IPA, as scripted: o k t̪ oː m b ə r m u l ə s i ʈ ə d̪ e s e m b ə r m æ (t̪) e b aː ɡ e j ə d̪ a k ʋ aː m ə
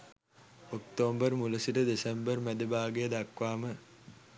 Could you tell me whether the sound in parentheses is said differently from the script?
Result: yes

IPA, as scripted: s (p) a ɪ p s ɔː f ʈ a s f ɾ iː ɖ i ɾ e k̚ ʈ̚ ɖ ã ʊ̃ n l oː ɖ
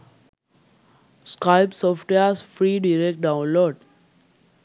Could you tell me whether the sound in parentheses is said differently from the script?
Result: yes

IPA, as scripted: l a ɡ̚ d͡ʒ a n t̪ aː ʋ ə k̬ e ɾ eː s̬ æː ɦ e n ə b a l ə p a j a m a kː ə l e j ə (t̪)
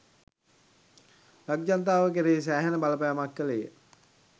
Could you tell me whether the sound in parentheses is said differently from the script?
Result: yes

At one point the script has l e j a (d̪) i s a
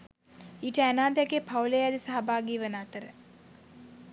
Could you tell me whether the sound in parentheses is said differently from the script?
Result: no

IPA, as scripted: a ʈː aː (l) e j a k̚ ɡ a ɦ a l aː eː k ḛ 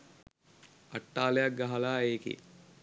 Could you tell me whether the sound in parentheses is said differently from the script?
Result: no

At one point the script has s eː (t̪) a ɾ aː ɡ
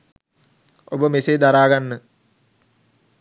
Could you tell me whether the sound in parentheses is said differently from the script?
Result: yes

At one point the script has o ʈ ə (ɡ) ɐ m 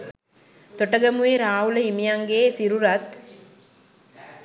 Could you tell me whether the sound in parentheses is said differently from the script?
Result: no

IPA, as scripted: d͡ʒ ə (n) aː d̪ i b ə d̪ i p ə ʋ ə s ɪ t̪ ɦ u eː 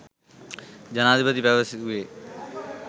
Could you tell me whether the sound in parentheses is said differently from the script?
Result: no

